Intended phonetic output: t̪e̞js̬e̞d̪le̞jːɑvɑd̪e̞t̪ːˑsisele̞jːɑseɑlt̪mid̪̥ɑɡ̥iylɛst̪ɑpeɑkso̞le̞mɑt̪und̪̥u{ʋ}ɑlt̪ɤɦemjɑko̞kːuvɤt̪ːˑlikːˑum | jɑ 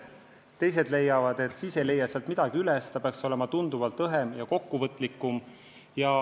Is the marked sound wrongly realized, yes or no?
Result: yes